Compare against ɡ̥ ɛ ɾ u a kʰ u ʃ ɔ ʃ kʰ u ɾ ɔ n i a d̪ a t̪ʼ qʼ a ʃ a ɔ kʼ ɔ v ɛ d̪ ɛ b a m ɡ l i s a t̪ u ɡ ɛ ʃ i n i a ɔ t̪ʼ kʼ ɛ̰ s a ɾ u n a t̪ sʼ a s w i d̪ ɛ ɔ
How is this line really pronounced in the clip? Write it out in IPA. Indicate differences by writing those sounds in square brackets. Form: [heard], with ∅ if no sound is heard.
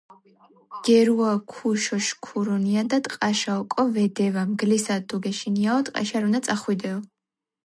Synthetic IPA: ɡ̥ ɛ ɾ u a kʰ u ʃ ɔ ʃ kʰ u ɾ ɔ n i a d̪ a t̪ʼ qʼ a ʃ a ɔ kʼ ɔ v ɛ d̪ ɛ [v] a m ɡ l i s a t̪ u ɡ ɛ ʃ i n i a ɔ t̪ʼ [qʼ] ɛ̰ [ʃ] a ɾ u n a t̪ sʼ a [χ] w i d̪ ɛ ɔ